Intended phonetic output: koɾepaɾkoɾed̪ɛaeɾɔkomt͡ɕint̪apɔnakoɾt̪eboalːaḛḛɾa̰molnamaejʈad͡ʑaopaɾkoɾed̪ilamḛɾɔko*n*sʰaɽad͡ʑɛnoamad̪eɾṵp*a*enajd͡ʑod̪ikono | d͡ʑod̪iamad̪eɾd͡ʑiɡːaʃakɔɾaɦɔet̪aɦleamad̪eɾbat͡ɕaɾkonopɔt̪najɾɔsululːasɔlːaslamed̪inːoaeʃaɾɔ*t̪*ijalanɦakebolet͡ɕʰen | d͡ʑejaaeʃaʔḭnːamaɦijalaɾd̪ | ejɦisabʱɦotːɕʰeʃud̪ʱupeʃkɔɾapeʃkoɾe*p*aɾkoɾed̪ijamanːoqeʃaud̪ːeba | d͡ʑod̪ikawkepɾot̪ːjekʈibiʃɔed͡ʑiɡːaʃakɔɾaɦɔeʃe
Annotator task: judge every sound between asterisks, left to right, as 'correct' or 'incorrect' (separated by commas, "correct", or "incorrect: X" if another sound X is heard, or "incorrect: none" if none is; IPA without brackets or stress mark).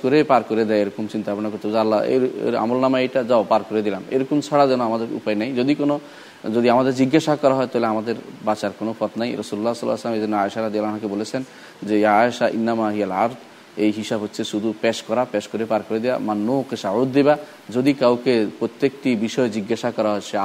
incorrect: m, correct, incorrect: d̪, correct